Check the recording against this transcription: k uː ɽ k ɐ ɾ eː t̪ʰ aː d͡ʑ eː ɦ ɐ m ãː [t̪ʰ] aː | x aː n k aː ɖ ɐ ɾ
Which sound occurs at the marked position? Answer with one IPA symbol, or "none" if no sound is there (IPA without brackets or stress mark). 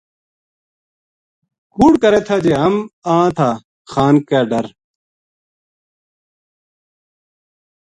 t̪ʰ